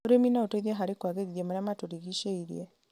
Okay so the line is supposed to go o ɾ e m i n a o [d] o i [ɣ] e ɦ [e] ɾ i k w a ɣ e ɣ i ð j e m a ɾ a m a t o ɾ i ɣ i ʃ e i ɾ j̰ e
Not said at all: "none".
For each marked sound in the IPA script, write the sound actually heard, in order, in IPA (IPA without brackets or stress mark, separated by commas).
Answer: t, ð, a